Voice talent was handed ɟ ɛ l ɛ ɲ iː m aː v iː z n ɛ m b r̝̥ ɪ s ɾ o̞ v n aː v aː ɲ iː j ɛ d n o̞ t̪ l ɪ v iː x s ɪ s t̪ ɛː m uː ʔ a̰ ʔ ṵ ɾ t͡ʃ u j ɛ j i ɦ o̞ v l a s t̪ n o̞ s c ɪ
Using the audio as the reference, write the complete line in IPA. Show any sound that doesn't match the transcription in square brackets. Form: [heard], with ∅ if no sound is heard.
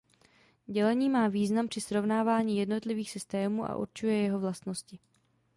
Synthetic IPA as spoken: ɟ ɛ l ɛ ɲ iː m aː v iː z n [a] m [p] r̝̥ ɪ s ɾ o̞ v n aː v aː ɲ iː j ɛ d n o̞ t̪ l ɪ v iː x s ɪ s t̪ ɛː m uː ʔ a̰ ʔ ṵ ɾ t͡ʃ u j ɛ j [ɛ] ɦ o̞ v l a s t̪ n o̞ s c ɪ